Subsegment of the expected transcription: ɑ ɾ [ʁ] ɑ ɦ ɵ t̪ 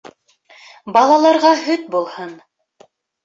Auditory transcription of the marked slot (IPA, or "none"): ʁ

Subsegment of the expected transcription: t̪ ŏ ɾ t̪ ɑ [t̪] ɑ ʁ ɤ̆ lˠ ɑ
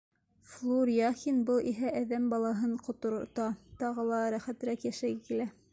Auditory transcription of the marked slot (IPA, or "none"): t̪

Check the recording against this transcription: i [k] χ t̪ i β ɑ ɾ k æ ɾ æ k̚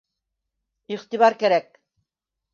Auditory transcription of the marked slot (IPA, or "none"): none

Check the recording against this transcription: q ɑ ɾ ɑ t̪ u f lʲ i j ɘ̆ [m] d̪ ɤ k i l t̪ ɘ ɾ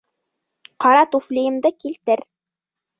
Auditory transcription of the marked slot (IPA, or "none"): m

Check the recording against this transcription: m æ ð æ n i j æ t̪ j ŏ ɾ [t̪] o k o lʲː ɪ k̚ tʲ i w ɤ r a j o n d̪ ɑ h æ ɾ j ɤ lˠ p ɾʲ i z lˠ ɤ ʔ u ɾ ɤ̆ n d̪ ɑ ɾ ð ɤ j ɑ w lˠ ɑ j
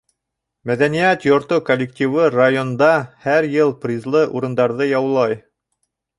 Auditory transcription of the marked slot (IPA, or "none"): t̪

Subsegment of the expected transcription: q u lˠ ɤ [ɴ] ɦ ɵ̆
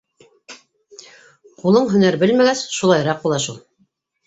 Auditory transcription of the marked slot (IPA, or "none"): ɴ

